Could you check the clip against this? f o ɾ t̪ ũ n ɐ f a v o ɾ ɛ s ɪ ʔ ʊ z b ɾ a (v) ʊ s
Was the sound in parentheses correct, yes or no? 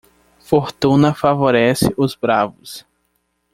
yes